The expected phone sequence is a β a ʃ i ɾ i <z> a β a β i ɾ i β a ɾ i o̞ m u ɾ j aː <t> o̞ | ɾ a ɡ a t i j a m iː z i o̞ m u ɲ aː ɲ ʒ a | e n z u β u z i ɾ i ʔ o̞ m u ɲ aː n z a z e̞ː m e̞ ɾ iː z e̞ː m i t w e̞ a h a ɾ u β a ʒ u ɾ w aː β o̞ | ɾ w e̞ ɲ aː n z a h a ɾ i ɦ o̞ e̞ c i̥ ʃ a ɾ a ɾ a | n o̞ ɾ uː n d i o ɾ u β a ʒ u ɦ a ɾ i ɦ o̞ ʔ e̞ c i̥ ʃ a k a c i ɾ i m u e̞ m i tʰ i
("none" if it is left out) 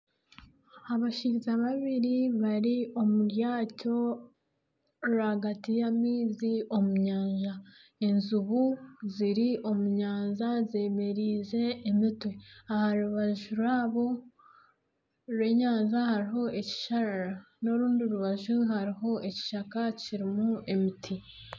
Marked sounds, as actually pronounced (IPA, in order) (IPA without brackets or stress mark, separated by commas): z, c